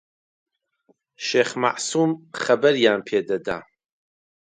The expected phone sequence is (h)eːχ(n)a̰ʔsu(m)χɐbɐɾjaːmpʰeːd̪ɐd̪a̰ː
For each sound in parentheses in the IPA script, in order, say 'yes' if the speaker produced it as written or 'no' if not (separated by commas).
no, no, yes